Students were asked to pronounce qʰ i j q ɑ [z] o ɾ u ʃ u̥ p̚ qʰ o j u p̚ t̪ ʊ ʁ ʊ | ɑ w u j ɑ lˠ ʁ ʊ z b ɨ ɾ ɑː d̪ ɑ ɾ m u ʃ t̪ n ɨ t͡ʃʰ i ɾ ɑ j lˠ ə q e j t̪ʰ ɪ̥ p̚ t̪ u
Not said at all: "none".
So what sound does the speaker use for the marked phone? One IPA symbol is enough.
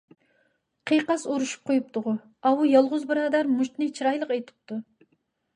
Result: s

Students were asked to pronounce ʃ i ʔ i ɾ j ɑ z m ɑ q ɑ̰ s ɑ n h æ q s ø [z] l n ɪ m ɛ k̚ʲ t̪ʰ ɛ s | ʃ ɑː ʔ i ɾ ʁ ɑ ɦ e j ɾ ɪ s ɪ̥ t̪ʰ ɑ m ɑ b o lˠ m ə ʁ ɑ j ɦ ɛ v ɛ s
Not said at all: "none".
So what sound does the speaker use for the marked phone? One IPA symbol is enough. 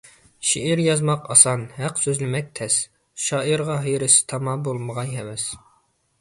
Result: z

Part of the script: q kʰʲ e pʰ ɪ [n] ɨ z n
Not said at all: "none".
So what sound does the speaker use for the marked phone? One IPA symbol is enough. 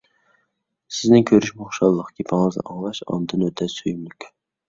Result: ŋ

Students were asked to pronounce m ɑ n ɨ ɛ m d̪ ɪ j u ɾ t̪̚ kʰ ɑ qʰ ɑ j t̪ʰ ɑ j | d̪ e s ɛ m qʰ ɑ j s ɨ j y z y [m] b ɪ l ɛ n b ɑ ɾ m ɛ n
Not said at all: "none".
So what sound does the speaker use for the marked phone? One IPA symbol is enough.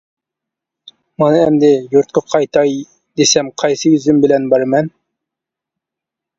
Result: m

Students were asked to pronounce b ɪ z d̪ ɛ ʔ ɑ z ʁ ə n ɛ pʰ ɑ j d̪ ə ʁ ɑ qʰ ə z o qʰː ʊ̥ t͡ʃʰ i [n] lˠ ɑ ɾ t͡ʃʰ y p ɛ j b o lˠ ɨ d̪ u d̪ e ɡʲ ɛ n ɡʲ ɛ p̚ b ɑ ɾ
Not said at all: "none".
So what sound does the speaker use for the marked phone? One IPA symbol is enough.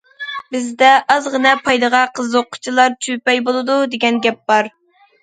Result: none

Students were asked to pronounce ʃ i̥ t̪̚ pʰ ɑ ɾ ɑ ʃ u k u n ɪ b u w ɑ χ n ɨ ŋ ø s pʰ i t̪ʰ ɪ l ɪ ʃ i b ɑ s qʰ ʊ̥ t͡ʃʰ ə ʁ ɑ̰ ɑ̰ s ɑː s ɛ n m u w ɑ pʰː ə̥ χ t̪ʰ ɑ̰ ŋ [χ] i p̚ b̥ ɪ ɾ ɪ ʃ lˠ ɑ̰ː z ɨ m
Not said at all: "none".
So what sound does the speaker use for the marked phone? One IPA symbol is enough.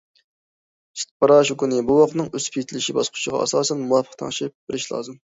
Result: ʃ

